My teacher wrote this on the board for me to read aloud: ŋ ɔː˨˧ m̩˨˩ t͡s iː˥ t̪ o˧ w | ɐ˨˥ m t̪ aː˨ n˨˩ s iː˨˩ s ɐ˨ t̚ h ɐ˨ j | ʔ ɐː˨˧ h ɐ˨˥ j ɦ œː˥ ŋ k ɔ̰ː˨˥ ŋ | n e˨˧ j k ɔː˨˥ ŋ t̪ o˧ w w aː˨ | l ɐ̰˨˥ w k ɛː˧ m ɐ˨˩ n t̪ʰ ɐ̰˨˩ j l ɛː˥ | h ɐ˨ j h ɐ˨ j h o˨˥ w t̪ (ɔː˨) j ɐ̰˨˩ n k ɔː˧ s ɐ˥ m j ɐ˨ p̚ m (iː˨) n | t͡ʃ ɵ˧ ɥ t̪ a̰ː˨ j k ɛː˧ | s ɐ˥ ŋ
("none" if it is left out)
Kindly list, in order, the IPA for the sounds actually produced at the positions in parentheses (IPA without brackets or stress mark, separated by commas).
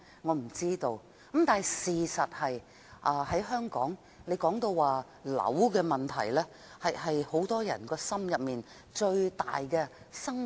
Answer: ɔː˥, iː˨